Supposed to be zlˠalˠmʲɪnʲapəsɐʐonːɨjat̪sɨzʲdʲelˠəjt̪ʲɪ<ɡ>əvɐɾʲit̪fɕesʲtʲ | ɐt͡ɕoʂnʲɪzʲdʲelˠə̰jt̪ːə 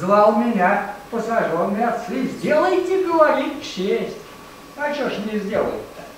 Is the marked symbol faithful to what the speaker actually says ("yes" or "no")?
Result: yes